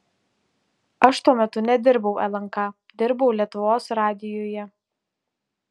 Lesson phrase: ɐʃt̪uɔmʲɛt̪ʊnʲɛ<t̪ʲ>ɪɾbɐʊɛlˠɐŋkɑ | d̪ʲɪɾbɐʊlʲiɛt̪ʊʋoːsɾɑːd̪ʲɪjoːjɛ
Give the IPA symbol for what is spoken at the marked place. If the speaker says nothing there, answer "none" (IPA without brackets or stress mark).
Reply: d̪ʲ